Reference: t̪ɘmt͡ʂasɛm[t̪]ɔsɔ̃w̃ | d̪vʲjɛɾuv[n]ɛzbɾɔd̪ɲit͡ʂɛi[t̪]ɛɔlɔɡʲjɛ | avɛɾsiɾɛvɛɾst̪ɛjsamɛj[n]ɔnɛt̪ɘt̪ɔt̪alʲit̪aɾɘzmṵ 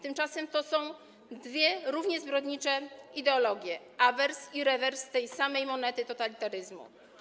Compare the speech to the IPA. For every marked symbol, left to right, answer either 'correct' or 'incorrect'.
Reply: correct, incorrect: ɲ, incorrect: d̪, incorrect: m

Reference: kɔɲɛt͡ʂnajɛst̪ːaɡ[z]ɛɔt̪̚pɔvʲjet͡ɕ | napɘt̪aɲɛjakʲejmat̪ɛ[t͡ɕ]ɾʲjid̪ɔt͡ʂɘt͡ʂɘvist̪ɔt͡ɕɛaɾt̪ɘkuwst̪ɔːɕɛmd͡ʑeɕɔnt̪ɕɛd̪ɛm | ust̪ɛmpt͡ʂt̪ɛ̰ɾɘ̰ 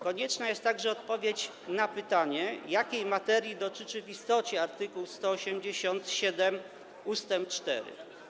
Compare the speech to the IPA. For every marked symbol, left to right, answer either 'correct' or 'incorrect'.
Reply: incorrect: ʐ, incorrect: none

